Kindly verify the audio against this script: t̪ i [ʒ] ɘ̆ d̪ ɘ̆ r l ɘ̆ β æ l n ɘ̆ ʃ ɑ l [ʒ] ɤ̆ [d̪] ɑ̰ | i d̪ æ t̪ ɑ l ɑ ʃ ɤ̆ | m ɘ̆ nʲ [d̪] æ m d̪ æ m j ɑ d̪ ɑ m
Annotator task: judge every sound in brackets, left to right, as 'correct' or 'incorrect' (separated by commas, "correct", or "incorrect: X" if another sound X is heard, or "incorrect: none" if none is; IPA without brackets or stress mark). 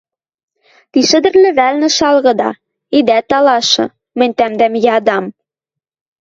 incorrect: ʃ, incorrect: ɣ, correct, incorrect: t̪